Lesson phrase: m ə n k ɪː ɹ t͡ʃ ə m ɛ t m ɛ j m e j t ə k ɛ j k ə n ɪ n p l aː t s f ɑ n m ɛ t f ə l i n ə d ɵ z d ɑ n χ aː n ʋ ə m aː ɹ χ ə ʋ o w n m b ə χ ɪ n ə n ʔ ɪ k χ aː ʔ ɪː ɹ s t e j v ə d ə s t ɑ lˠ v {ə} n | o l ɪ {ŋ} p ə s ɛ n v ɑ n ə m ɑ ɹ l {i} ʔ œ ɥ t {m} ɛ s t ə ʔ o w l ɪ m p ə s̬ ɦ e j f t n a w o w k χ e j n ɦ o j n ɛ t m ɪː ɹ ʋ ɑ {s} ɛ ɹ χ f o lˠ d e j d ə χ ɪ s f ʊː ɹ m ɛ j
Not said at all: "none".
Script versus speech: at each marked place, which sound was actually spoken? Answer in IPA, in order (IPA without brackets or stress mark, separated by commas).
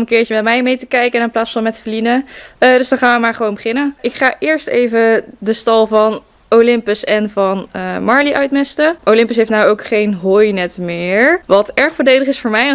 ɑ, m, i, m, t